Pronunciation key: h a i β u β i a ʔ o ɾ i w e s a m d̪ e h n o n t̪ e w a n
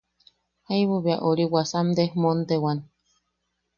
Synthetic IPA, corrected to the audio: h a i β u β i a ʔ o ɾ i w a s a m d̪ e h m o n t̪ e w a n